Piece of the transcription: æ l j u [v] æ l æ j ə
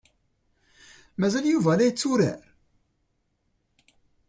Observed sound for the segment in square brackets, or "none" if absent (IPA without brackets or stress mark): v